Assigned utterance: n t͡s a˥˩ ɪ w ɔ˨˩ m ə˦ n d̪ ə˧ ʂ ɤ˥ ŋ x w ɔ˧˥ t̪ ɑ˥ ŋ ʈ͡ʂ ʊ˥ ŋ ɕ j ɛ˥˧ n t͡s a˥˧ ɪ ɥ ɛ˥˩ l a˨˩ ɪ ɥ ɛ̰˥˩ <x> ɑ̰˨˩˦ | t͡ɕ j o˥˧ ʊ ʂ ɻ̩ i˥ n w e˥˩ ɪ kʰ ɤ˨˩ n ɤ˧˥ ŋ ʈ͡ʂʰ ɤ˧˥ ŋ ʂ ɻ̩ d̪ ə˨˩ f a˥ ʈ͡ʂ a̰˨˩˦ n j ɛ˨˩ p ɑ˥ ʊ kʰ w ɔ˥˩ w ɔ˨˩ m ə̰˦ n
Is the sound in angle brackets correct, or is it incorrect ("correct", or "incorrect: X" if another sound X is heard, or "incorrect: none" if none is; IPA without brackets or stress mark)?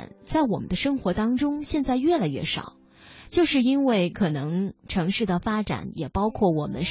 incorrect: ʂ